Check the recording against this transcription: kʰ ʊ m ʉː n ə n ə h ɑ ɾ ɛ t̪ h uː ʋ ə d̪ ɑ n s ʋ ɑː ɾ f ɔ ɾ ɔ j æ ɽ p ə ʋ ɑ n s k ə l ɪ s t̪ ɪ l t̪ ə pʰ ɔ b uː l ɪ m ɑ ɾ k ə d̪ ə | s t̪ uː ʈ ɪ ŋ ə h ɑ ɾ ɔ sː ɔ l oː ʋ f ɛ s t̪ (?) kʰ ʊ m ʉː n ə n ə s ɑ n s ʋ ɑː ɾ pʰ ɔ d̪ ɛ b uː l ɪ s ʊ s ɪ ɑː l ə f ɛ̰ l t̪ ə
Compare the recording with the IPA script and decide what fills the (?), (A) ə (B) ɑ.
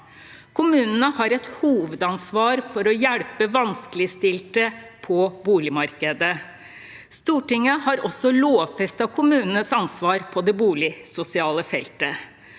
B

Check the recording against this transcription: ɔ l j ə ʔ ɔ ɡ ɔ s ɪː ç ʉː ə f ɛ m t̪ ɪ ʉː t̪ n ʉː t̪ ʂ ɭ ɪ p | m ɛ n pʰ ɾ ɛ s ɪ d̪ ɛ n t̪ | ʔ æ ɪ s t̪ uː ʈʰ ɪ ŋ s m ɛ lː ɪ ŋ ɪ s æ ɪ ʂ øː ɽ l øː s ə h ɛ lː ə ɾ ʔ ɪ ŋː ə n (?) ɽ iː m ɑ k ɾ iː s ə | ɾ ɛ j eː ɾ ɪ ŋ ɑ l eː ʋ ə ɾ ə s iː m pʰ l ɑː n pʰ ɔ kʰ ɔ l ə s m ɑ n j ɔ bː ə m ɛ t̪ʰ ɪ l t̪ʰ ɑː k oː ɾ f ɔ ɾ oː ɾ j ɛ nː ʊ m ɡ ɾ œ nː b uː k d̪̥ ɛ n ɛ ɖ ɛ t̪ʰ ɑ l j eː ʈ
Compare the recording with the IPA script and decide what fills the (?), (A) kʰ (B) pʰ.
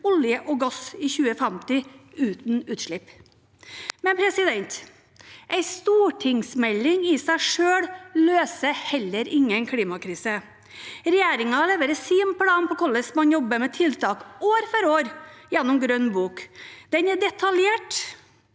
A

